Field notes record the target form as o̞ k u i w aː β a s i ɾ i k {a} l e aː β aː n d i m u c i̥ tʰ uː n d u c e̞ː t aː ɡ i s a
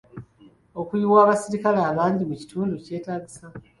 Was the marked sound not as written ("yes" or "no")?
no